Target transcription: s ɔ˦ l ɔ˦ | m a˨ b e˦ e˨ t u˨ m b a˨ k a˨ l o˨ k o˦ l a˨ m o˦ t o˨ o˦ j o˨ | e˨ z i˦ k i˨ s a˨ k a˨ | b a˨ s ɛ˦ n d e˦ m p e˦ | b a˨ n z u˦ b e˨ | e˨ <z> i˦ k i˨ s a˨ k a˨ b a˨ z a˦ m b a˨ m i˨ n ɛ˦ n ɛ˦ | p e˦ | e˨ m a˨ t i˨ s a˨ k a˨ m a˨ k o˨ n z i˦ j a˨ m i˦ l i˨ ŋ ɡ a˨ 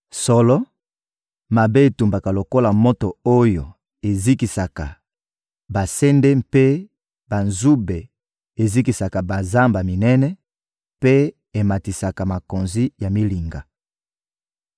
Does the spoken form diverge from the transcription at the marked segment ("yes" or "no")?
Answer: no